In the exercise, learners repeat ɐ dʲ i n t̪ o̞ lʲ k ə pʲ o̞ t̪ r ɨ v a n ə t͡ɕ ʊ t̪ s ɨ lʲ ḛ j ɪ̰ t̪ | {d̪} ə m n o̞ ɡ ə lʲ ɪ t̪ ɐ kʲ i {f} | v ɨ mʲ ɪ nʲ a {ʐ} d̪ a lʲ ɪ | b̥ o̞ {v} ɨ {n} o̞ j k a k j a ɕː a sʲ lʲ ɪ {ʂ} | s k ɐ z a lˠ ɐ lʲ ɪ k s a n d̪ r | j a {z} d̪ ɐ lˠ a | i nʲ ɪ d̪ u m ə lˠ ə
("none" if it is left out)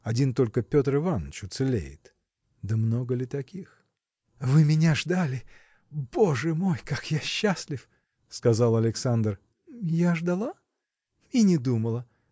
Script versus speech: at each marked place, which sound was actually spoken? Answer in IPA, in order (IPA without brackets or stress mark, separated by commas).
d̪, x, ʐ, ʐ, m, f, ʐ